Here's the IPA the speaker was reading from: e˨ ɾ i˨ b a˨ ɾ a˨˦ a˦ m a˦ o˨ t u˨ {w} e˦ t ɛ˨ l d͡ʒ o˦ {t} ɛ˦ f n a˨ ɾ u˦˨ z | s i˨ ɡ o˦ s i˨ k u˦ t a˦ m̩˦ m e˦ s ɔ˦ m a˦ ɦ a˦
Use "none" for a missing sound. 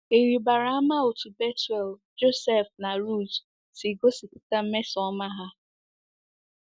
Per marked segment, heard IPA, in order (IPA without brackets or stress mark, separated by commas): b, s